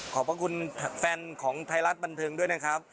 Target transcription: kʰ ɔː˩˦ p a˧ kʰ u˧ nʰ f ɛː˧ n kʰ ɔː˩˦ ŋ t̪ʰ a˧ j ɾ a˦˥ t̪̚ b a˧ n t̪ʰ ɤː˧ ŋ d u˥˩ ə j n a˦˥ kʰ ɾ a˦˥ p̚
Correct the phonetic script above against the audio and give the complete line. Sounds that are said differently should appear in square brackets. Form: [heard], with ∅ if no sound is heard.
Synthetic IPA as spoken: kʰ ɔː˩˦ p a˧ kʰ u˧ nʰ f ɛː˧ n kʰ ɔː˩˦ ŋ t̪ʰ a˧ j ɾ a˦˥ t̪̚ b a˧ n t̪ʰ ɤː˧ ŋ d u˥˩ ə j n a˦˥ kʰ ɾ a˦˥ p̚